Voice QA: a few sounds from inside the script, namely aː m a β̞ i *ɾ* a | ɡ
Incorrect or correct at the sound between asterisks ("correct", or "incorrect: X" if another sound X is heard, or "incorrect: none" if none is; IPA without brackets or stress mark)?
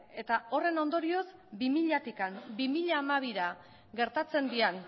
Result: correct